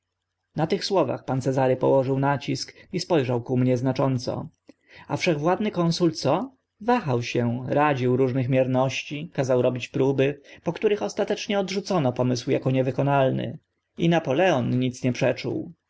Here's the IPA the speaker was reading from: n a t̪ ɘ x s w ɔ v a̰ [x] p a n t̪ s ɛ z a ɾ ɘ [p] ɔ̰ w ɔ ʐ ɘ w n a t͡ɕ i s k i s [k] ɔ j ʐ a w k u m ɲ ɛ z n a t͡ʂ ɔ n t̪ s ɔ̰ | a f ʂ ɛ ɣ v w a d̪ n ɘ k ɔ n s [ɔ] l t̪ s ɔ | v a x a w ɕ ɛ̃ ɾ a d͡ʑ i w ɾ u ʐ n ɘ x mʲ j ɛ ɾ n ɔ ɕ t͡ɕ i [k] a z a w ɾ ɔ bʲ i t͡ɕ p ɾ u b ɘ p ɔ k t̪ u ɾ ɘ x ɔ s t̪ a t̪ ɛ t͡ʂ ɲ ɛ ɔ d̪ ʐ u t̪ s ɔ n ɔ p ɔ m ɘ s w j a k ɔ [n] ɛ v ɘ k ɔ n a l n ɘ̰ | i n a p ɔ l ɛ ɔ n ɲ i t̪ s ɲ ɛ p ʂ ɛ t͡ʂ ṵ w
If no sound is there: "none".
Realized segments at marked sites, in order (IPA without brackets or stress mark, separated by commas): x, p, p, u, k, ɲ